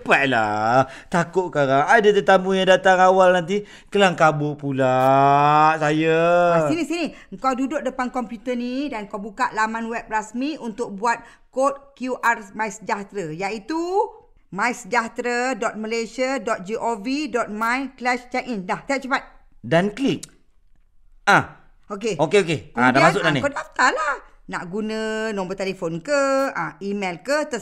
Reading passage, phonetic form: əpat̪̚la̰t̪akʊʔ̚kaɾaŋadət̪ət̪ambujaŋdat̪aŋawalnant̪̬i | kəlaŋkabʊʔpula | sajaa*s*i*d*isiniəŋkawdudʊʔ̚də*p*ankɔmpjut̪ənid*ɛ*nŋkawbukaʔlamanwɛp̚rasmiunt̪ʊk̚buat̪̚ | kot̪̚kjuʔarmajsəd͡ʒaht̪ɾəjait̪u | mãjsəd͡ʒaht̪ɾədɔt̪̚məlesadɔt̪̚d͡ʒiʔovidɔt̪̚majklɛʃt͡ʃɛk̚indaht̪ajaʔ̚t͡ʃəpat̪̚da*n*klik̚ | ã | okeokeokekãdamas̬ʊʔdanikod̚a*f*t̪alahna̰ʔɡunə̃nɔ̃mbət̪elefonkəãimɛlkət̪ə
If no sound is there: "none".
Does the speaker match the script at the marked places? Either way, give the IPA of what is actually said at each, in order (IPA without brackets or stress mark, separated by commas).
s, n, p, a, n, f